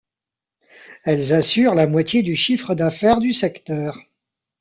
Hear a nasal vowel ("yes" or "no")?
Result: no